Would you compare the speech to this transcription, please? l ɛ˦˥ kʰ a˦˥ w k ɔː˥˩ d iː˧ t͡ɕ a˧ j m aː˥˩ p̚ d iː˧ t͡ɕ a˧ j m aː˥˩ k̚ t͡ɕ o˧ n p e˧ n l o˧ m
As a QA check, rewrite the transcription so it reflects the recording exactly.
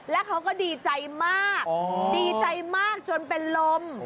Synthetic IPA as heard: l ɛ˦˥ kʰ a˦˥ w k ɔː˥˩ d iː˧ t͡ɕ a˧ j m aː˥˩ k̚ d iː˧ t͡ɕ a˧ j m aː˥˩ k̚ t͡ɕ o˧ n p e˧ n l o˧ m